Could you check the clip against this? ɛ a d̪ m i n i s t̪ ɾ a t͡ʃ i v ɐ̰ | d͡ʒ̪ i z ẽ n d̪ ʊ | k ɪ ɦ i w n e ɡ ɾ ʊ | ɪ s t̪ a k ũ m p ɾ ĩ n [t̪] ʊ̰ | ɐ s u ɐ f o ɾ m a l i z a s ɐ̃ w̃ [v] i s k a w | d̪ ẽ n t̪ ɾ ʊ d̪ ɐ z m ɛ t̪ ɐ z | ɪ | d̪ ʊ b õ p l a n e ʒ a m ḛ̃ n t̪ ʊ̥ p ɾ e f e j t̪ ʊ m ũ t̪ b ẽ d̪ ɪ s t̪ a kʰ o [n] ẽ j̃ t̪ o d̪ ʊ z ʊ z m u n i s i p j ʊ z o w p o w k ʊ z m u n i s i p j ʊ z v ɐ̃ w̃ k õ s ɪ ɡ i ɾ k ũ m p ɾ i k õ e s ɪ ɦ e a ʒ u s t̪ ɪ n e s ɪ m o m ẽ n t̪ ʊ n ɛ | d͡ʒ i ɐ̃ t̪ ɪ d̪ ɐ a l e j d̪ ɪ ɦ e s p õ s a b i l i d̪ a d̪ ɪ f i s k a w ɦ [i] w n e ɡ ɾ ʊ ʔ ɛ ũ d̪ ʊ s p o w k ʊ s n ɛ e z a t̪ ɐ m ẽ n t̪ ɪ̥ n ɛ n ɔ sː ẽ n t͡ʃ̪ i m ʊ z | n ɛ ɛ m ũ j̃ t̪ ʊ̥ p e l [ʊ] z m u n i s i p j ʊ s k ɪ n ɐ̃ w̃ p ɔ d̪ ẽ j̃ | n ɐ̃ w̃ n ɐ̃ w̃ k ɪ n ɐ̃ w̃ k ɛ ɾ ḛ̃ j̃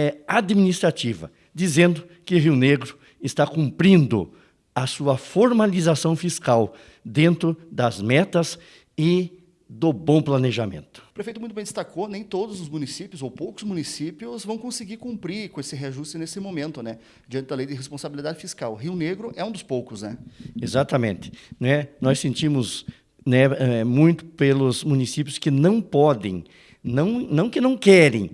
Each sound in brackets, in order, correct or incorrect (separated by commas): incorrect, incorrect, correct, correct, correct